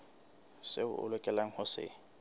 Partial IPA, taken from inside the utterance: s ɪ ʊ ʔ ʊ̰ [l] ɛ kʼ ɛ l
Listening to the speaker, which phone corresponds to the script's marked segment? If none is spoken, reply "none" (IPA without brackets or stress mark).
l